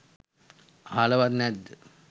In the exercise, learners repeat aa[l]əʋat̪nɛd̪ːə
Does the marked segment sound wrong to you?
no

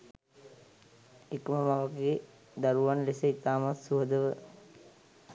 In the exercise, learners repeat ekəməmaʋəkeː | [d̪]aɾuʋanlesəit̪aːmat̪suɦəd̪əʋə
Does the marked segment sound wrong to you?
no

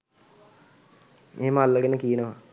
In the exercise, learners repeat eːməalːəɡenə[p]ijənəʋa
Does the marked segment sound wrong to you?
yes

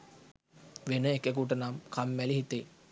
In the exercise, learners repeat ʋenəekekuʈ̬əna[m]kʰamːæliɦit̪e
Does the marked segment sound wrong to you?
no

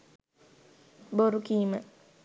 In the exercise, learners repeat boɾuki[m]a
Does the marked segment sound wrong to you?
no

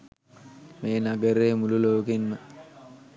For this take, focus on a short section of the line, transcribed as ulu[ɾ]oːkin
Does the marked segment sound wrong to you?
yes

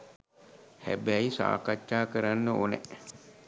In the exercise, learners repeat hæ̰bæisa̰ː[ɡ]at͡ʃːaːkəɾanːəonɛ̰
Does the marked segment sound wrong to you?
yes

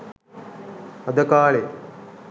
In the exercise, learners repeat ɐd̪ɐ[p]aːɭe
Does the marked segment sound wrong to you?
yes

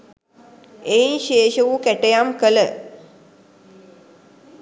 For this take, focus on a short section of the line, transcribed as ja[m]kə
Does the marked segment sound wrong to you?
no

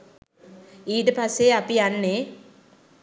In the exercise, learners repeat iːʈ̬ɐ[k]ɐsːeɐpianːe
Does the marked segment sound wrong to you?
yes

